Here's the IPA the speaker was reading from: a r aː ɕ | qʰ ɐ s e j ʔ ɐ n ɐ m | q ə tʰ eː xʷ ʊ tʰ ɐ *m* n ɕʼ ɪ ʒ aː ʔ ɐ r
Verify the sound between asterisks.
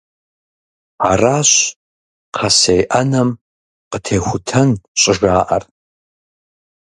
incorrect: none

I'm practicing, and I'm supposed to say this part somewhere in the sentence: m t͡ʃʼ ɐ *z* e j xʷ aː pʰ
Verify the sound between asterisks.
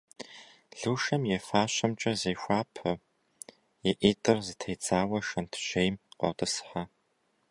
correct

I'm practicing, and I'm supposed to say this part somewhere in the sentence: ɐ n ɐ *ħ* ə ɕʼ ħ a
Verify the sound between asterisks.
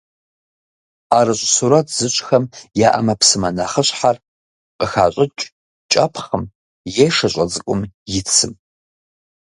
incorrect: χ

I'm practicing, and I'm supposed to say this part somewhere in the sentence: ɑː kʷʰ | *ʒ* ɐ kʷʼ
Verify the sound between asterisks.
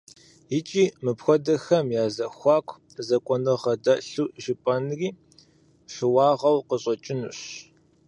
incorrect: z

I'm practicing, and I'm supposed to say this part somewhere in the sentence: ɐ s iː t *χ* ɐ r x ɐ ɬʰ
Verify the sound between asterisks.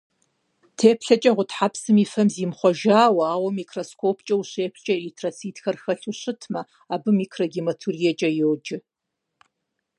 incorrect: x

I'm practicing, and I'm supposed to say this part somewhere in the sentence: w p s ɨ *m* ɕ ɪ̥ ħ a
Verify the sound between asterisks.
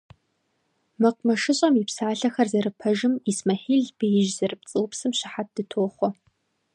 correct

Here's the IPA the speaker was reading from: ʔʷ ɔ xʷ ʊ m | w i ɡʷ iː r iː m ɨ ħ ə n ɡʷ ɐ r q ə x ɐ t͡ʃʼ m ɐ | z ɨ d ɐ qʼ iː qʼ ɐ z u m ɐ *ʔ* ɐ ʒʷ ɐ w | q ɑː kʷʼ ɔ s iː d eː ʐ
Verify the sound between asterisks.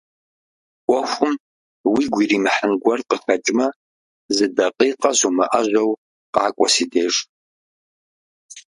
correct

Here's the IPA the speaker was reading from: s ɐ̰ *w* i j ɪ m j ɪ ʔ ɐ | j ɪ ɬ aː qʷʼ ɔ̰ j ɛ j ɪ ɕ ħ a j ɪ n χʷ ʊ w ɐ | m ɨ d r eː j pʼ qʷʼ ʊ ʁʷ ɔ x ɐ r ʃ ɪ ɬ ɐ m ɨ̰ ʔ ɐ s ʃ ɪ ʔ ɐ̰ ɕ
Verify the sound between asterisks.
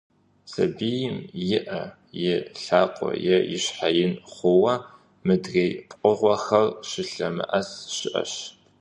incorrect: b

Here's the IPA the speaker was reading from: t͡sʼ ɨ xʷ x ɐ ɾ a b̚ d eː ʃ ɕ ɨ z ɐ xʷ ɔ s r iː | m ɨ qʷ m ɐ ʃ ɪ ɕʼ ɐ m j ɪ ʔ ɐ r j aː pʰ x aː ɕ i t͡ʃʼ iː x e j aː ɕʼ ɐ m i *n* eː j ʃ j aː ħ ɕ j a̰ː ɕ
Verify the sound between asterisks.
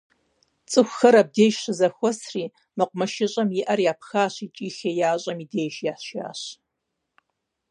incorrect: d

